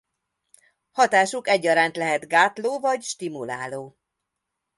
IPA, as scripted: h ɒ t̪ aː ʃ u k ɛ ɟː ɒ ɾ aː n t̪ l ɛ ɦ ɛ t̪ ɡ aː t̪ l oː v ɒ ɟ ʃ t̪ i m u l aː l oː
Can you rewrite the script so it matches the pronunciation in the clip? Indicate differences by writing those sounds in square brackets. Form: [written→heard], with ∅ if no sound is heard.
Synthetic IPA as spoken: h ɒ t̪ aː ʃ u k ɛ ɟː ɒ ɾ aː n t̪ l ɛ ɦ ɛ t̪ ɡ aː t̪ l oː v ɒ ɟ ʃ t̪ i m u l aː l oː